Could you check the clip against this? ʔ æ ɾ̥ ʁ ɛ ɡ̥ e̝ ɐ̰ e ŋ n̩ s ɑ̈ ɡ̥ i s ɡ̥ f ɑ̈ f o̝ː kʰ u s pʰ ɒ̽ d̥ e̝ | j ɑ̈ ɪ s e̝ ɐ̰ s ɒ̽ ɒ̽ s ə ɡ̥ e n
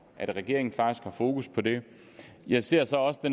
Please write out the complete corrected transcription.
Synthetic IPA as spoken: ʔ æ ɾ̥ ʁ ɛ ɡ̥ e̝ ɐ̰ e ŋ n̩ f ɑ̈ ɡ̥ i s ɡ̥ h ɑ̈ f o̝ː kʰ u s pʰ ɒ̽ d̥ e̝ | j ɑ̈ ɪ s e̝ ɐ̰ s ɒ̽ ɒ̽ s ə d̥ e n